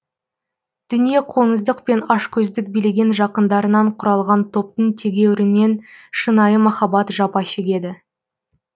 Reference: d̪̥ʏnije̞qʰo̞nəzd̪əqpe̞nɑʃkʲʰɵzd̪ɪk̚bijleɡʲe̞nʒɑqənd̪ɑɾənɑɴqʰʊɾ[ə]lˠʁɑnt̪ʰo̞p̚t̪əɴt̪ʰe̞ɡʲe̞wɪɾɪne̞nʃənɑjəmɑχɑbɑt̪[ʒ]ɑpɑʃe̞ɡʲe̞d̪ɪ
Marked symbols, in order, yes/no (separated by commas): no, yes